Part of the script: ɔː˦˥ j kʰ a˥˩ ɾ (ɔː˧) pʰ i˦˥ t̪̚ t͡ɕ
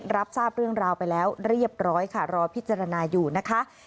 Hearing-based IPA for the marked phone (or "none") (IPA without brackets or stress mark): ɔː˧